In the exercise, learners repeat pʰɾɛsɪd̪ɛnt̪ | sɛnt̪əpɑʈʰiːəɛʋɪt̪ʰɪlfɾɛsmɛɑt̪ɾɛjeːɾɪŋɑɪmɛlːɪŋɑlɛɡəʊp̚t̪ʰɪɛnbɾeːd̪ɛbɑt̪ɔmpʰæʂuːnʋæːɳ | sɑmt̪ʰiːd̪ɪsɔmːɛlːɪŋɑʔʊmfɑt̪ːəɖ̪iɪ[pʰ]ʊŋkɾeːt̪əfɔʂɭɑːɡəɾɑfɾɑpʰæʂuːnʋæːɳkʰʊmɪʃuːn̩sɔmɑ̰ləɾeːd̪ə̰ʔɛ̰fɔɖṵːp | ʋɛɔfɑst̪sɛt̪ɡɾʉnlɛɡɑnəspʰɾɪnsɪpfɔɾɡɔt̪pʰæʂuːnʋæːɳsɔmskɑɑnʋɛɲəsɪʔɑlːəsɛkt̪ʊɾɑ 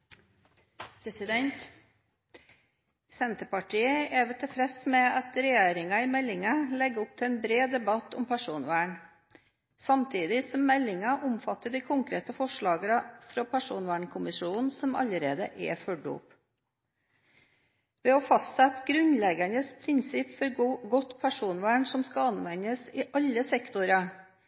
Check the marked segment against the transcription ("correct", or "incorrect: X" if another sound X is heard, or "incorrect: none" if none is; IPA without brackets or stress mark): incorrect: kʰ